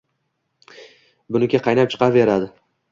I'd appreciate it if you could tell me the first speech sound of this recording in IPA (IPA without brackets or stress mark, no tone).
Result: b